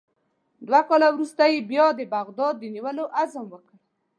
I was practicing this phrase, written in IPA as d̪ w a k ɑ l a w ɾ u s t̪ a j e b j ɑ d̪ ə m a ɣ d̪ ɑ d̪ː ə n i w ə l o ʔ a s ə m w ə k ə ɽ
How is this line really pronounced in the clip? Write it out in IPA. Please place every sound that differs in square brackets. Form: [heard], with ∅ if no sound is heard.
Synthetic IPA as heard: d̪ w a k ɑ l a w ɾ u s t̪ a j e b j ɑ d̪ ə [b] a ɣ d̪ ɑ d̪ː ə n i w ə l o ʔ a [z] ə m w ə k ə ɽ